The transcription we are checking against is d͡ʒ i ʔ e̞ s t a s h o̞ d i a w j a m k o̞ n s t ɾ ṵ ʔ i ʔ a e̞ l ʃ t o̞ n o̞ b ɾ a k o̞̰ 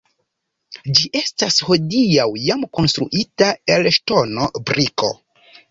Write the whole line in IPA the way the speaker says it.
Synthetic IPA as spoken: d͡ʒ i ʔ e̞ s t a s h o̞ d i a w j a m k o̞ n s t ɾ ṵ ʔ i t a e̞ l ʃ t o̞ n o̞ b ɾ i k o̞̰